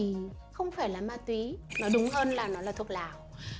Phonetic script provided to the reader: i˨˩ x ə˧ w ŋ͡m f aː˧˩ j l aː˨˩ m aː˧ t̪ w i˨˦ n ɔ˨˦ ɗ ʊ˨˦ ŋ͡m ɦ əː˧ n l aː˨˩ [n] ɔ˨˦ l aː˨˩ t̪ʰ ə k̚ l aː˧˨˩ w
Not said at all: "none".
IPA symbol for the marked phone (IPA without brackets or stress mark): n